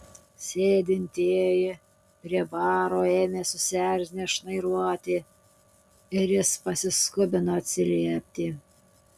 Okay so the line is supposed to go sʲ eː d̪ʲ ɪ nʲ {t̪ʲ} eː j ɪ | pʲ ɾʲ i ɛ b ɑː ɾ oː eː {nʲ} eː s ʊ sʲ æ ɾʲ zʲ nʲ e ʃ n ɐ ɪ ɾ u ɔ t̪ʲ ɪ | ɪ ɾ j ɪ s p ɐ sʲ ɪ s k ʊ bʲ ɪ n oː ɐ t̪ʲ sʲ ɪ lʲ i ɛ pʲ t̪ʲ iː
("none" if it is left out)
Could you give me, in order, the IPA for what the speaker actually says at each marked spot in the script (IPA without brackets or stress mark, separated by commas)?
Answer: t̪ʲ, mʲ